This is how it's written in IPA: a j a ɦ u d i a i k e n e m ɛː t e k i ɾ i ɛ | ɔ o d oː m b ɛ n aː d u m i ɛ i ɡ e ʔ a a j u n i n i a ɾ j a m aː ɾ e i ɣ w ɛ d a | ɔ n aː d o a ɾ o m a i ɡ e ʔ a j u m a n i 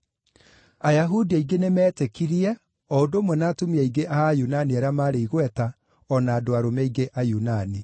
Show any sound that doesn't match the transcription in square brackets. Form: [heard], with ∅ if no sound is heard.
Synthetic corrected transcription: a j a ɦ u d i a i [ɡ] e n e m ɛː t e k i ɾ i ɛ | ɔ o d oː m [w] ɛ n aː [t] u m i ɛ i ɡ e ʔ a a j u n [a] n i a ɾ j a m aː ɾ e i ɣ w ɛ [t] a | ɔ n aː d o a ɾ o m [ɛ] i ɡ e ʔ a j u [n] a n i